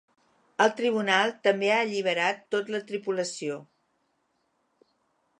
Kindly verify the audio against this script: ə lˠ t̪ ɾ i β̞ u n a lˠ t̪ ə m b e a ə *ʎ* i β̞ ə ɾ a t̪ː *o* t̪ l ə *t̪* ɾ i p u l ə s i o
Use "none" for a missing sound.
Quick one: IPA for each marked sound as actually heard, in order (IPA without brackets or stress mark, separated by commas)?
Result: ʎ, o, t̪